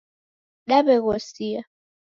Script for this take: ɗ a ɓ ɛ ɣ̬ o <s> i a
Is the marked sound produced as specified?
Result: yes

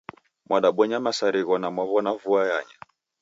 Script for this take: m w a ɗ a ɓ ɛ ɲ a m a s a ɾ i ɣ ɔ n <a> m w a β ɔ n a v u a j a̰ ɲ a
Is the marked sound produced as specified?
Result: yes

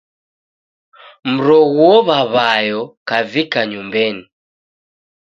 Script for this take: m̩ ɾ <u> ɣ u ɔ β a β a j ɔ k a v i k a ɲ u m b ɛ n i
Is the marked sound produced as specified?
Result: no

